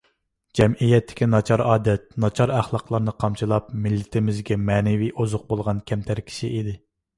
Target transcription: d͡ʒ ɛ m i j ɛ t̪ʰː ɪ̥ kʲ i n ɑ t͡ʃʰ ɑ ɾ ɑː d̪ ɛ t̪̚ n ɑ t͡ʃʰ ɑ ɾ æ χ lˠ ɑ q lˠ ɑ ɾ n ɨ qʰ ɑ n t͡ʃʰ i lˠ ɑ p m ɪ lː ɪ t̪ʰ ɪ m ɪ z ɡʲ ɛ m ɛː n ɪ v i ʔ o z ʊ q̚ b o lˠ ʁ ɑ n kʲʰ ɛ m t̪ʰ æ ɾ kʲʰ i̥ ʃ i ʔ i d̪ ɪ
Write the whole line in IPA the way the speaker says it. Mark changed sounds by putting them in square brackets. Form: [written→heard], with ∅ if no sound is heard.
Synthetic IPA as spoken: d͡ʒ ɛ m i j ɛ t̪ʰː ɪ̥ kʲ i n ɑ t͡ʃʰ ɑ ɾ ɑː d̪ ɛ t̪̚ n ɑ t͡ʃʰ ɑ ɾ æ χ lˠ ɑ q lˠ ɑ ɾ n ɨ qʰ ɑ [n→m] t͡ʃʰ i lˠ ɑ p m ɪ lː ɪ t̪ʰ ɪ m ɪ z ɡʲ ɛ m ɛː n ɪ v i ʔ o z ʊ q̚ b o lˠ ʁ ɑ n kʲʰ ɛ m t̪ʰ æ ɾ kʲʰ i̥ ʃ i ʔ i d̪ ɪ